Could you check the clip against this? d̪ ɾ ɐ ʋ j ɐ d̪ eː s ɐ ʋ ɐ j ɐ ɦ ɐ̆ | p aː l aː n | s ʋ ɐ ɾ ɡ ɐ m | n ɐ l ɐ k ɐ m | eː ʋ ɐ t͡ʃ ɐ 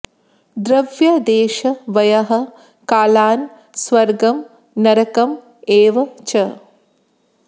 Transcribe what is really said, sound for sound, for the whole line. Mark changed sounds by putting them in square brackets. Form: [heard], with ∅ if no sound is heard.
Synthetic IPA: d̪ ɾ ɐ ʋ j ɐ d̪ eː [ʃ] ɐ ʋ ɐ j ɐ ɦ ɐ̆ | [k] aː l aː n | s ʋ ɐ ɾ ɡ ɐ m | n ɐ [ɾ] ɐ k ɐ m | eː ʋ ɐ t͡ʃ ɐ